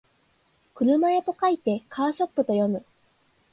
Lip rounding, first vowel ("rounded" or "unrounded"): unrounded